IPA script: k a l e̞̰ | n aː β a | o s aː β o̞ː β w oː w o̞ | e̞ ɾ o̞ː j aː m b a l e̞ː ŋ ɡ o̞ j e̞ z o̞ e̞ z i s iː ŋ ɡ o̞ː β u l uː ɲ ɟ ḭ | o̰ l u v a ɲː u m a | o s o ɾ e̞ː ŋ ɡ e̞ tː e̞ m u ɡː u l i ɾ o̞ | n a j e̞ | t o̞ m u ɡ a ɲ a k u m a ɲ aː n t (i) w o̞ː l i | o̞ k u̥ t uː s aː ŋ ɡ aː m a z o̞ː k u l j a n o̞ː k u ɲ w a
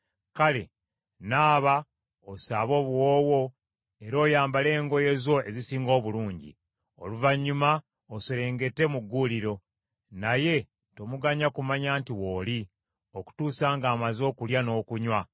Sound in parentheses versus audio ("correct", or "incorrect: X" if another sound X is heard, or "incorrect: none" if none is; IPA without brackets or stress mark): correct